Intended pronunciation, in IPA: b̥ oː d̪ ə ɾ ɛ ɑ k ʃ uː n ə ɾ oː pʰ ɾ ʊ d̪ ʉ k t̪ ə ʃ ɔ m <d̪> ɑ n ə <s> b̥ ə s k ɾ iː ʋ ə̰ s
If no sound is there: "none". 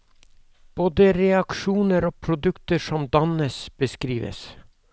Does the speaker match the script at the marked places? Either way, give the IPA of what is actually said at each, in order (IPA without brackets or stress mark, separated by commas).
d̪, s